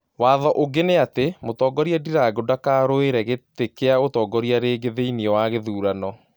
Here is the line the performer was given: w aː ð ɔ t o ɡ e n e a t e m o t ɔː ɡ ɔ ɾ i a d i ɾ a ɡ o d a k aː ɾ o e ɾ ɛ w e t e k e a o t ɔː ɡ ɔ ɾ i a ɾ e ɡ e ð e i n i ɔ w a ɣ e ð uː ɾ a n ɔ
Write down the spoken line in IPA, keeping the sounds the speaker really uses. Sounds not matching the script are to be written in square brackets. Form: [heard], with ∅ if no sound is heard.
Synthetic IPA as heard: w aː ð ɔ [ʔ] o ɡ e n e a t e m o t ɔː ɡ ɔ ɾ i a d i ɾ a ɡ o d a k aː ɾ o e ɾ ɛ [ɣ] e t e k e a o t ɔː ɡ ɔ ɾ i a ɾ e ɡ e ð e i n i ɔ w a ɣ e ð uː ɾ a n ɔ